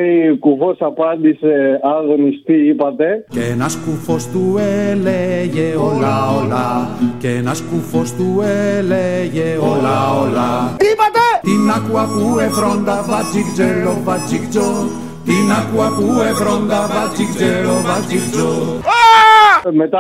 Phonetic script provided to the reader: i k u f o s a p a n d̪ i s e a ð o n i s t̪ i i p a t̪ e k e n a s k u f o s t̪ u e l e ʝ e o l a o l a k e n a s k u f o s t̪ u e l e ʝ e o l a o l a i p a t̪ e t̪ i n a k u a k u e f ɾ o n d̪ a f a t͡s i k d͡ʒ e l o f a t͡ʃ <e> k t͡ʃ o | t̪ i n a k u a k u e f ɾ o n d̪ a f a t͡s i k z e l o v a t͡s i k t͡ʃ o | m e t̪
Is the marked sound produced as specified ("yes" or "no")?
no